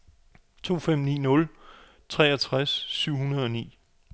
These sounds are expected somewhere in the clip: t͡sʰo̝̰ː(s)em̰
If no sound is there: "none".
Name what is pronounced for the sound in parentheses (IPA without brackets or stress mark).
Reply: f